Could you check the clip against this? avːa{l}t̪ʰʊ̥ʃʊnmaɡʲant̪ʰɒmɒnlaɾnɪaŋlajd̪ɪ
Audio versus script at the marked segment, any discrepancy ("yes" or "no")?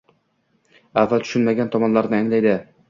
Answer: no